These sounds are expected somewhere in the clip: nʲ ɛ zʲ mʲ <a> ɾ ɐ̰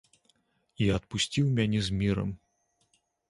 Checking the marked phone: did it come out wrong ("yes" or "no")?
yes